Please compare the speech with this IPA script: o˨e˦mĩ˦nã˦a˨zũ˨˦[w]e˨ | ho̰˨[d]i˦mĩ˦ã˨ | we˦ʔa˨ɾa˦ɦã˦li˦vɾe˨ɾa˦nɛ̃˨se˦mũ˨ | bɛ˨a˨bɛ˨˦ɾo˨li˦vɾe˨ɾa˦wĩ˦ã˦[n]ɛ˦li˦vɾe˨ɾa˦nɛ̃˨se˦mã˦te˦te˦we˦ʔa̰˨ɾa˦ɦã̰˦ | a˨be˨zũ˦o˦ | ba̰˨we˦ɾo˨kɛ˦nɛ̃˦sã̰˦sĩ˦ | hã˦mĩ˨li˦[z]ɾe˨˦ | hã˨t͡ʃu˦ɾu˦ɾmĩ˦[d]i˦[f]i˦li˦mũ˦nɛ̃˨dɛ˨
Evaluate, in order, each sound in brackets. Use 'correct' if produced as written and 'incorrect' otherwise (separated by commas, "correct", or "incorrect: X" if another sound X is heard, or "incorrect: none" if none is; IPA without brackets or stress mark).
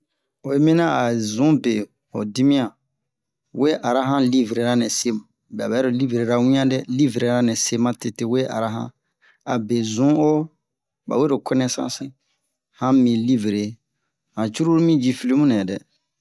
incorrect: b, correct, incorrect: d, incorrect: v, incorrect: d͡ʒ, correct